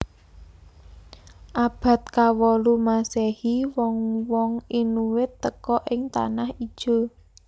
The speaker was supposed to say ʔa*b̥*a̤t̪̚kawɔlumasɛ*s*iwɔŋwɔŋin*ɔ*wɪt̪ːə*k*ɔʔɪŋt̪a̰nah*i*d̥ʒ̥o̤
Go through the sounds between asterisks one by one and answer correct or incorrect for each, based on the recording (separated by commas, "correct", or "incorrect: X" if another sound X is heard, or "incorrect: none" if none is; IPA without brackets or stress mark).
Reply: correct, incorrect: h, incorrect: u, correct, correct